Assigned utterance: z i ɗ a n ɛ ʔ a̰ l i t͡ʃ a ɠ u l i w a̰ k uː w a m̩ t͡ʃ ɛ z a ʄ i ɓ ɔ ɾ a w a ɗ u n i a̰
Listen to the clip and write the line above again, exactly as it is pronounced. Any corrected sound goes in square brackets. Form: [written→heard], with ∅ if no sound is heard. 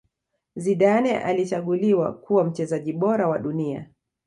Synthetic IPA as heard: z i ɗ a n ɛ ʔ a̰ l i t͡ʃ a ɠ u l i w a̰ k [uː→u] w a m̩ t͡ʃ ɛ z a ʄ i ɓ ɔ ɾ a w a ɗ u n i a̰